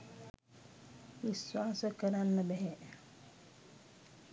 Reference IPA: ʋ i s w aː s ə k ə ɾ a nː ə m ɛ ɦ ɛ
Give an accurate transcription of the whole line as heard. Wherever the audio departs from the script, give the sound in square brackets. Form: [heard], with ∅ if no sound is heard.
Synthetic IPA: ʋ i s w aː s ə k ə ɾ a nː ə [b] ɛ ɦ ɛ